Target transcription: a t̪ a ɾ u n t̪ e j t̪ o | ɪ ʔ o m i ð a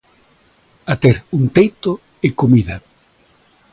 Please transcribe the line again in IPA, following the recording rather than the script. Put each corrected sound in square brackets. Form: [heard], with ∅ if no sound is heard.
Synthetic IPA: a t̪ [e] ɾ u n t̪ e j t̪ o | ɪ [k] o m i ð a